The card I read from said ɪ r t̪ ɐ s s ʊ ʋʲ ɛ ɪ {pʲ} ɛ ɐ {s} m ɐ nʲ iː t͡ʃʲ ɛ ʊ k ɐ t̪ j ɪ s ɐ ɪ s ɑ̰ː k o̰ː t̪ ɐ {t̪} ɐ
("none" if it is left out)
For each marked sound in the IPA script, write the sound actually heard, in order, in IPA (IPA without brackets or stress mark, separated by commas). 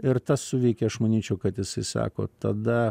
kʲ, ʃ, d̪